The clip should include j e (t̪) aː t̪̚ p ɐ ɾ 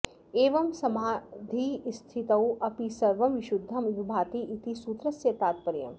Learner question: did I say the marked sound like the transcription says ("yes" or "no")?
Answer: yes